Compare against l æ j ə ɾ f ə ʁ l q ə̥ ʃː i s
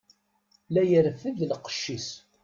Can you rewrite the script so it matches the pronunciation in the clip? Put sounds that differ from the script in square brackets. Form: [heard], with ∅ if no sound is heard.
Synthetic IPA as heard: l æ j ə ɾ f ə [ð] l q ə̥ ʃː i s